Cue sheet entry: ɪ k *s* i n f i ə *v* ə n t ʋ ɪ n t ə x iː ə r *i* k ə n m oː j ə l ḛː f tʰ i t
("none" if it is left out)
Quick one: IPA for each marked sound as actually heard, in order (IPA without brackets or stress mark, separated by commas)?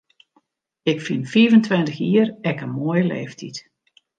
f, v, ɛ